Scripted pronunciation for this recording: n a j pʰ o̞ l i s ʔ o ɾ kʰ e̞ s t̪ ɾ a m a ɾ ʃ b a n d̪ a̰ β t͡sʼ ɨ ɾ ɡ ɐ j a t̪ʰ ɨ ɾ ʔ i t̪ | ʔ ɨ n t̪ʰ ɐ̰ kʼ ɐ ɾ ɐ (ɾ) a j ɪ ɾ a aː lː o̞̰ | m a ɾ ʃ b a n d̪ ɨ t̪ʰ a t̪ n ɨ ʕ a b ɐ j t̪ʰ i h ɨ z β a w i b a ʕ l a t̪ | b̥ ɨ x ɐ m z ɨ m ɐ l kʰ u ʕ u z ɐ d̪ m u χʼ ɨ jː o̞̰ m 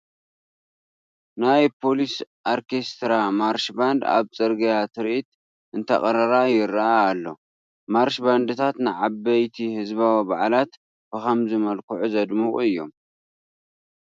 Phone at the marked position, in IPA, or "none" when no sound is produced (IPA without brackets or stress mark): ɾ